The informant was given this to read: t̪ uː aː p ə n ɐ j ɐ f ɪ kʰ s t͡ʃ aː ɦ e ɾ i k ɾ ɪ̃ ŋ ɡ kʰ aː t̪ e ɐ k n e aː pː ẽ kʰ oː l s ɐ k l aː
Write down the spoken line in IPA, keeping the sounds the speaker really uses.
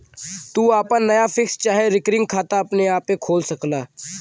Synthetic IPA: t̪ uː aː p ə n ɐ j a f ɪ k s t͡ʃ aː ɦ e ɾ ɪ k ɾ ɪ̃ ŋ ɡ kʰ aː t̪ a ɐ p n e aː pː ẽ kʰ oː l s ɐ k l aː